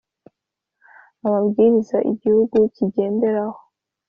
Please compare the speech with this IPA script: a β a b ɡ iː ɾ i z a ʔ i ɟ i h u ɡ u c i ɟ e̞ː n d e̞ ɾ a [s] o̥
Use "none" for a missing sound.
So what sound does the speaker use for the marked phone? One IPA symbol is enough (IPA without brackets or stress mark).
h